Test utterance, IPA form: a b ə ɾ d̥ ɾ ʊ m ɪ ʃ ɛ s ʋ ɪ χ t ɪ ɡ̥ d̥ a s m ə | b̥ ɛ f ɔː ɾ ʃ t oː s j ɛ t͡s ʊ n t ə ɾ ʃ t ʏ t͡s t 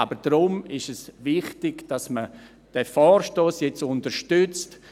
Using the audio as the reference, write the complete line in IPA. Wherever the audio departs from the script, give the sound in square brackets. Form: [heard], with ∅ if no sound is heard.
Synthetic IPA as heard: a b ə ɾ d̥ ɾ ʊ m ɪ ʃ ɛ s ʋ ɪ χ t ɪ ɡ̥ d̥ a s m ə | [d̥] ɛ f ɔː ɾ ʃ t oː s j ɛ t͡s ʊ n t ə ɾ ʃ t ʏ t͡s t